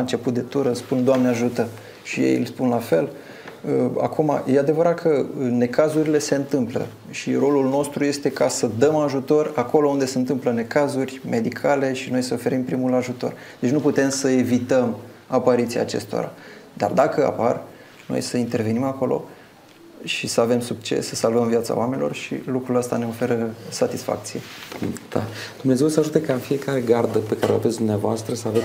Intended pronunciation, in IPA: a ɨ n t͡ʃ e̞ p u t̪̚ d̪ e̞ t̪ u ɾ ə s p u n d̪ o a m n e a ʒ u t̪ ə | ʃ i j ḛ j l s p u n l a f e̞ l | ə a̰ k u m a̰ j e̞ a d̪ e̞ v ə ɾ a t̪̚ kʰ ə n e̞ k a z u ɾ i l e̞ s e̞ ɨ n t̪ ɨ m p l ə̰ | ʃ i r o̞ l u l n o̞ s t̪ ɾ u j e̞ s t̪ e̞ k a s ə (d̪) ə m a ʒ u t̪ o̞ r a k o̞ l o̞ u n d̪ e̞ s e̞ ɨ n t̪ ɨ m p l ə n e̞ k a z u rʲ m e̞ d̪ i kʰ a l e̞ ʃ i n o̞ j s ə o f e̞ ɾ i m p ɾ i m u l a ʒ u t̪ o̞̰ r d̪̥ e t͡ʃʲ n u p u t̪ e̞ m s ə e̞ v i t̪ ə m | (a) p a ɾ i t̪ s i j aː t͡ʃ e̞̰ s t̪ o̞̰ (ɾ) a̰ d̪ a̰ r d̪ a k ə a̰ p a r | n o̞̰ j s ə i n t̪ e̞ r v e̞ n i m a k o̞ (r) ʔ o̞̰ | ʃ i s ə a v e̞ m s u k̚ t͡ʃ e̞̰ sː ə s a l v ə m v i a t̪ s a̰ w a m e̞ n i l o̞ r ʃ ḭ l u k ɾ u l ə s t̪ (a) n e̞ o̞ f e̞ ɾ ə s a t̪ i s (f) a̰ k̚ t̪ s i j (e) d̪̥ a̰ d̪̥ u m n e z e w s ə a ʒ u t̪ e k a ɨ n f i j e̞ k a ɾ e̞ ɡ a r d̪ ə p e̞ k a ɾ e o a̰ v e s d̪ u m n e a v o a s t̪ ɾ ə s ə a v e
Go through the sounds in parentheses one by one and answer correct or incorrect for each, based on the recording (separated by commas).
correct, correct, correct, incorrect, correct, correct, correct